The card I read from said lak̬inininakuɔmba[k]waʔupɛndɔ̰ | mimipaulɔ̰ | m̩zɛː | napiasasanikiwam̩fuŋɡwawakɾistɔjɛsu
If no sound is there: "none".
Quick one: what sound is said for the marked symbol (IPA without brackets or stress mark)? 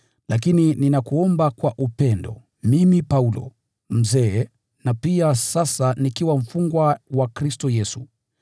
k